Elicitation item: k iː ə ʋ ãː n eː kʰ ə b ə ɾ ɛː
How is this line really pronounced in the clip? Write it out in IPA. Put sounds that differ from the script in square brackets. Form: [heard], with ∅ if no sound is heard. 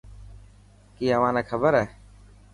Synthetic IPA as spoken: k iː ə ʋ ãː n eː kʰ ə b ə ɾ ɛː